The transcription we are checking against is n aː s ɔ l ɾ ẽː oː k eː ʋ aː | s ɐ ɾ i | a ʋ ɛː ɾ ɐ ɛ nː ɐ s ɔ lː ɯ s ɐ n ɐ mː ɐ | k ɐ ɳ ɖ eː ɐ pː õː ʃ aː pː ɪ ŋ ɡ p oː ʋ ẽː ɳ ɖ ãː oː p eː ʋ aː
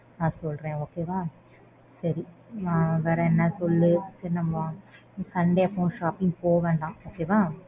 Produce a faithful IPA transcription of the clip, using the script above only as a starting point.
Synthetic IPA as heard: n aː s ɔ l ɾ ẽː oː k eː ʋ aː | s ɐ ɾ i | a ʋ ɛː ɾ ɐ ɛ nː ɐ s ɔ lː ɯ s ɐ n ɐ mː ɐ | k ɐ ɳ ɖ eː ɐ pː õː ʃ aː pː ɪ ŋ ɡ p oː ʋ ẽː ɳ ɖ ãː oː k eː ʋ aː